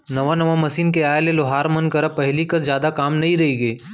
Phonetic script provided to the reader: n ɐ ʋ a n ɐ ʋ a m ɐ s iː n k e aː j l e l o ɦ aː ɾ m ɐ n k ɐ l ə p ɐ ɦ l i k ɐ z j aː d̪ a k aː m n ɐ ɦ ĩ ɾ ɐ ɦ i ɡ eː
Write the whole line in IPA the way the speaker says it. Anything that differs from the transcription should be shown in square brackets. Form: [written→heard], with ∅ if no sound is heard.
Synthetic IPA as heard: n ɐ ʋ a n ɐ ʋ a m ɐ s iː n k e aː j l e l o ɦ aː ɾ m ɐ n k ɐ [l→ɾ] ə p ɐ ɦ l i k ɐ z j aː d̪ a k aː m n ɐ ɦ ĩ ɾ ɐ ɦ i ɡ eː